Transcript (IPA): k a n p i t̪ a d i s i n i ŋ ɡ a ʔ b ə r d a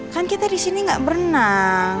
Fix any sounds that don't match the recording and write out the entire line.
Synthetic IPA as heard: k a n k i t̪ a d i s i n i ŋ ɡ a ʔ b ə r n a